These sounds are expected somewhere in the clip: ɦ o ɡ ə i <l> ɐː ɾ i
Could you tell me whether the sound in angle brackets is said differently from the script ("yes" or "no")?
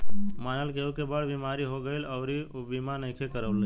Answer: no